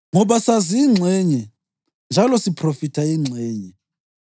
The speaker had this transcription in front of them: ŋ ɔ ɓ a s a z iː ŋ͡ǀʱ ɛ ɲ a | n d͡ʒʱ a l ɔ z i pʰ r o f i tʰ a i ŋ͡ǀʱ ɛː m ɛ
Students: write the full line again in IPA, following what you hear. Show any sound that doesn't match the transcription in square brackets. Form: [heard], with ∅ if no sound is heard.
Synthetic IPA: ŋ ɔ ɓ a s a z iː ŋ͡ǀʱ ɛ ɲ [ɛ] | n d͡ʒʱ a l ɔ [s] i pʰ r o f i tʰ a i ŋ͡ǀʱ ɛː [ɲ] ɛ